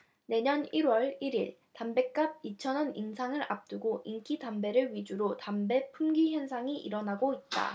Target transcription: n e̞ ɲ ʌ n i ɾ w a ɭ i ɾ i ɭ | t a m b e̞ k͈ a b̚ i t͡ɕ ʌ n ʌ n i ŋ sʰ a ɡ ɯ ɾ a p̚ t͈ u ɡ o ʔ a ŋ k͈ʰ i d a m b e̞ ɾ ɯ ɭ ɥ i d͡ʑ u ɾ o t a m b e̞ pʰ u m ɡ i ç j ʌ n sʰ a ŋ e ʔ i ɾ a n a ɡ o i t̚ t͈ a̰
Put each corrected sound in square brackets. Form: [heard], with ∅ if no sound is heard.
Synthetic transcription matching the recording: n e̞ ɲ ʌ n i ɾ w [ʌ] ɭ i ɾ i ɭ | t a m b e̞ k͈ a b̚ i [t͡ɕʰ] ʌ n ʌ n i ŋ sʰ a [ŋ] ɯ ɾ a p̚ t͈ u ɡ o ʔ [i] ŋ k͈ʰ i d a m b e̞ ɾ ɯ ɭ ɥ i d͡ʑ u ɾ o t a m b e̞ pʰ u m ɡ i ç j ʌ n sʰ a ŋ [i] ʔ i ɾ [ʌ] n a ɡ o i t̚ t͈ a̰